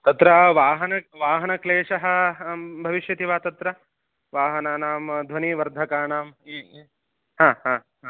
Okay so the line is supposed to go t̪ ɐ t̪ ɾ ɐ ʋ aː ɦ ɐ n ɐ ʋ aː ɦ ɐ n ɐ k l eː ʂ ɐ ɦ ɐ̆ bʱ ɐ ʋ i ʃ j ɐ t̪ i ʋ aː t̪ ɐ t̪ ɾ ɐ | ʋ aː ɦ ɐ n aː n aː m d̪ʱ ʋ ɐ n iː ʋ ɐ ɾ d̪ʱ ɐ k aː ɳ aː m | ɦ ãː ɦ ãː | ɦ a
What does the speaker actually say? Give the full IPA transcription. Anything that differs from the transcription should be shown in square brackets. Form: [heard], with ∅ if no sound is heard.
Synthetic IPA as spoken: t̪ ɐ t̪ ɾ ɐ ʋ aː ɦ ɐ n ɐ ʋ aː ɦ ɐ n ɐ k l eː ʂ ɐ ɦ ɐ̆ bʱ ɐ ʋ i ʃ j ɐ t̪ i ʋ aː t̪ ɐ t̪ ɾ ɐ | ʋ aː ɦ ɐ n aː n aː m d̪ʱ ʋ ɐ n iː ʋ ɐ ɾ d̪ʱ ɐ k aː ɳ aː m | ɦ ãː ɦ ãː | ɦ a